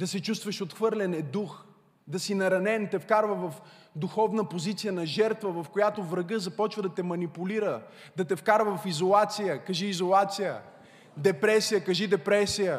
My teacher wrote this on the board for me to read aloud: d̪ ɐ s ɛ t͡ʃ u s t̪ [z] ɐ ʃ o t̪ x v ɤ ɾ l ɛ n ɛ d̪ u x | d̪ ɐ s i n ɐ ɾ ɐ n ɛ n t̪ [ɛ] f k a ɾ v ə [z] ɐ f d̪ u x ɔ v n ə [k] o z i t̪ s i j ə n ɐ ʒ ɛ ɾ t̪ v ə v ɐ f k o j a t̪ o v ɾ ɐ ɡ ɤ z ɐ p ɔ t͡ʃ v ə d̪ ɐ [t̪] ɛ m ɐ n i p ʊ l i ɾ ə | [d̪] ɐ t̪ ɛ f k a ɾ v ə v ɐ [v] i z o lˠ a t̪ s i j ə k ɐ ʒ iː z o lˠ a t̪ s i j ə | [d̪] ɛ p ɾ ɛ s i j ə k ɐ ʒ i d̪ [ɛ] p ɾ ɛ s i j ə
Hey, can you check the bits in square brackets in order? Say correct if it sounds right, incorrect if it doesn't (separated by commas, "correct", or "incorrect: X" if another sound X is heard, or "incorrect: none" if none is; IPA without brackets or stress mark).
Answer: incorrect: v, correct, incorrect: v, incorrect: p, correct, correct, incorrect: f, correct, correct